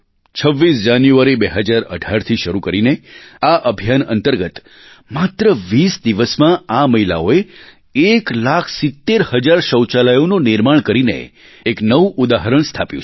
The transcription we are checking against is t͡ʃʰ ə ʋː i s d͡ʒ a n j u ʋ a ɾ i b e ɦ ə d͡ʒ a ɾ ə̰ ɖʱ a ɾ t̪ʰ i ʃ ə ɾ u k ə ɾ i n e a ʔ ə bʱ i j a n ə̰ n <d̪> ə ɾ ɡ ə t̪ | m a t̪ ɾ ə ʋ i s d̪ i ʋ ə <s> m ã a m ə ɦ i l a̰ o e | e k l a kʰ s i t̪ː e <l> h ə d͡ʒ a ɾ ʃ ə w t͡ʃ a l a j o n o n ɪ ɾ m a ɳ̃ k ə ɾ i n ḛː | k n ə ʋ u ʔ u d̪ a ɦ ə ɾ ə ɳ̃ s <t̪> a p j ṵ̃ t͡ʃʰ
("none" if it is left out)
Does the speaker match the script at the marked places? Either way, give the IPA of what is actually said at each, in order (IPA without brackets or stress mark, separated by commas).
t̪, s, ɾ, t̪ʰ